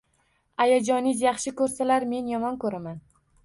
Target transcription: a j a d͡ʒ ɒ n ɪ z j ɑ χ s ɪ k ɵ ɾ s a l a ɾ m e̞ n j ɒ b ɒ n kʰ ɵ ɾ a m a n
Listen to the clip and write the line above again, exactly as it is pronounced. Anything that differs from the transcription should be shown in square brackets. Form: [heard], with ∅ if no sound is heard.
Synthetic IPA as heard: a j a d͡ʒ ɒ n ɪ z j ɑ χ [ʃ] ɪ k ɵ ɾ s a l a ɾ m e̞ n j ɒ [m] ɒ n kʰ ɵ ɾ a m a n